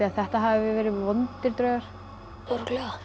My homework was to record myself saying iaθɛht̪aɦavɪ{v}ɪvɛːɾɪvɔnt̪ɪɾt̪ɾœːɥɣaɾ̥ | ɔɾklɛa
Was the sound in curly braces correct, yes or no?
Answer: yes